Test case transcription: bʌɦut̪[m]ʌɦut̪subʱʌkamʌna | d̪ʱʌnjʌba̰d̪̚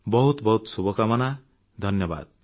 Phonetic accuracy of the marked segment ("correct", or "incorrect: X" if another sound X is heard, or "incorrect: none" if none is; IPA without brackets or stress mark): incorrect: b